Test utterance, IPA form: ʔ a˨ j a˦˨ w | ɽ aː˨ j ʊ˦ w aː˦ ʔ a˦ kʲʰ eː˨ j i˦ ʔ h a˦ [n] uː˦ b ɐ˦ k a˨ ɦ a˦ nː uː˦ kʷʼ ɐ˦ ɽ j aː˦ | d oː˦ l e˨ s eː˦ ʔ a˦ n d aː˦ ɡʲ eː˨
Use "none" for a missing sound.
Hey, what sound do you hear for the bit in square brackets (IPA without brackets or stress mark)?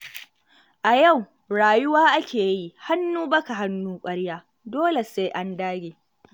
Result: nː